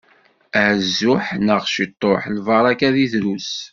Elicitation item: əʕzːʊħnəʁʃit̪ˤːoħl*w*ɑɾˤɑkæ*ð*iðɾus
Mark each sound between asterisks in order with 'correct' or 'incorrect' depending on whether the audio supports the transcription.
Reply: incorrect, correct

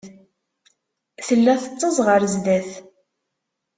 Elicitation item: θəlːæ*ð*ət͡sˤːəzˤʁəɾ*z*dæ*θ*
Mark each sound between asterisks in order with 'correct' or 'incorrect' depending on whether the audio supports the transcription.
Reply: incorrect, correct, correct

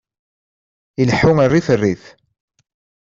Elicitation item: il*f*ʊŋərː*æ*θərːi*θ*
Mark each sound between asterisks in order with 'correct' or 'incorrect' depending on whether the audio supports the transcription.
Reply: incorrect, incorrect, correct

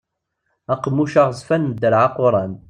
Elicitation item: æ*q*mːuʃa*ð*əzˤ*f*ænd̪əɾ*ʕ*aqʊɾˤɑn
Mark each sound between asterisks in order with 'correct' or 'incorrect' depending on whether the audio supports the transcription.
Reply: correct, incorrect, correct, correct

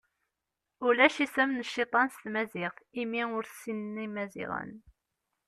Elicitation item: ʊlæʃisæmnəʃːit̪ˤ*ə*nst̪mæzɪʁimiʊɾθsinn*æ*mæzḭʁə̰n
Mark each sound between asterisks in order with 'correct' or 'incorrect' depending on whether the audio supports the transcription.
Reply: incorrect, incorrect

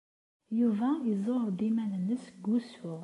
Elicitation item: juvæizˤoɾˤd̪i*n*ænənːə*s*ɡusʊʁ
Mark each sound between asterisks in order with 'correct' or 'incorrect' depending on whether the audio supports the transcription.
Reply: incorrect, correct

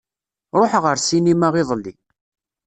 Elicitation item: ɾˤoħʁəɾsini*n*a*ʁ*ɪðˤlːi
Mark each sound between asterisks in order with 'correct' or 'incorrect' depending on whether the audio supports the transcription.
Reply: incorrect, correct

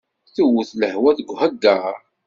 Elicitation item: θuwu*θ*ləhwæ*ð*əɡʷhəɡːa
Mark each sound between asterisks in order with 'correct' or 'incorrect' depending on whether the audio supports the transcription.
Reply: correct, incorrect

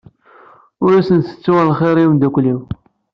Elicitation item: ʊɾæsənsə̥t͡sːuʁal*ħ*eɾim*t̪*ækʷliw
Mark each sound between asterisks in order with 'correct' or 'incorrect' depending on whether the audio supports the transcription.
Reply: incorrect, incorrect

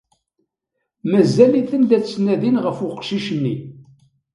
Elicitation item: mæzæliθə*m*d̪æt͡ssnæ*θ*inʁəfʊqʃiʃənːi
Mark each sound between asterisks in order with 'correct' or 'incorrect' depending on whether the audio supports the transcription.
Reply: incorrect, incorrect

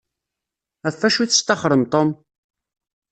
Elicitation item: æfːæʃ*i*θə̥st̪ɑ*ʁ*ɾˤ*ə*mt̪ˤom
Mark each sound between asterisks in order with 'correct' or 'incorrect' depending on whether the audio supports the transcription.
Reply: correct, incorrect, correct

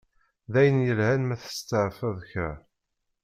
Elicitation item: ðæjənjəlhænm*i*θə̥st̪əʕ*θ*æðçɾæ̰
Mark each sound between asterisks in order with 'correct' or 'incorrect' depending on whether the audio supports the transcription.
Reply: incorrect, incorrect

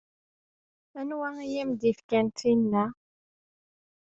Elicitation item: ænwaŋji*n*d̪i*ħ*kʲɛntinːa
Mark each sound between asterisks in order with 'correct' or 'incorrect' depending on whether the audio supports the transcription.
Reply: incorrect, incorrect

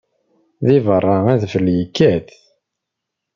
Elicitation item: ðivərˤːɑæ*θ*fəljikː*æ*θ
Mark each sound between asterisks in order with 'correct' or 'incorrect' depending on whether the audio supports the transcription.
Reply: incorrect, correct

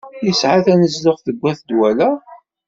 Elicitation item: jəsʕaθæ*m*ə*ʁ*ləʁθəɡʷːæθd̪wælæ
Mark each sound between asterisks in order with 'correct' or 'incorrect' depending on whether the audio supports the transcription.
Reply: incorrect, incorrect

